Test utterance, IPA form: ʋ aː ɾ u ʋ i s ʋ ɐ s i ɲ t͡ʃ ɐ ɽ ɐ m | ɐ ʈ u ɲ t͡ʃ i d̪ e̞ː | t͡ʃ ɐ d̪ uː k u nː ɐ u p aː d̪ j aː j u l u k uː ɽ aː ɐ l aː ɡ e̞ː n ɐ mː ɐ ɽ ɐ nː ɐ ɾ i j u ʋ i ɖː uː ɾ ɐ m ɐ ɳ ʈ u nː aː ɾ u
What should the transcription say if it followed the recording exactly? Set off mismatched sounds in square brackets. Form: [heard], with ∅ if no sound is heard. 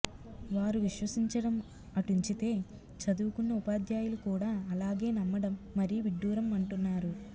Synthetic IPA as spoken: ʋ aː ɾ u ʋ i [ʃ] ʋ ɐ s i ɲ t͡ʃ ɐ ɽ ɐ m | ɐ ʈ u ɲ t͡ʃ i [t̪] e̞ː | t͡ʃ ɐ d̪ uː k u nː ɐ u p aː d̪ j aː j u l u k uː ɽ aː ɐ l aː ɡ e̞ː n ɐ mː ɐ ɽ ɐ [mː] ɐ ɾ i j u ʋ i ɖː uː ɾ ɐ m ɐ ɳ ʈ u nː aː ɾ u